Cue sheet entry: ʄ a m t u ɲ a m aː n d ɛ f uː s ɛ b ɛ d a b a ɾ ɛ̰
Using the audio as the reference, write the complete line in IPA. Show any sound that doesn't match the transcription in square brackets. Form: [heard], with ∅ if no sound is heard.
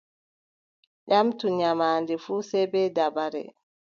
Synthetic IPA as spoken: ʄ a m t u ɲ a m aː n d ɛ f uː s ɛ b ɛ d a b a ɾ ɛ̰